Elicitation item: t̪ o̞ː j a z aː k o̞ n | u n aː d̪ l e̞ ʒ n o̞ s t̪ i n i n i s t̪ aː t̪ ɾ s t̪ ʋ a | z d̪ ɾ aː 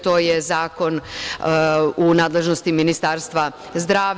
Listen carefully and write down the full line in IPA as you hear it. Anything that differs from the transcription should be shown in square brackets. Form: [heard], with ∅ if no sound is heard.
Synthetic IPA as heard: t̪ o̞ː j [e] z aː k o̞ n | u n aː d̪ l e̞ ʒ n o̞ s t̪ i [m] i n i s t̪ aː [∅] ɾ s t̪ ʋ a | z d̪ ɾ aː